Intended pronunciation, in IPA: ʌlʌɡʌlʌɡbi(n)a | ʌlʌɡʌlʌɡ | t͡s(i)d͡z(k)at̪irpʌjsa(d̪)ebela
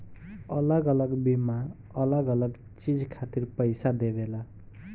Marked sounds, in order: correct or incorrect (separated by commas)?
incorrect, correct, incorrect, correct